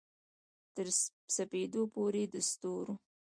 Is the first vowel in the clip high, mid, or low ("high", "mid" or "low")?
mid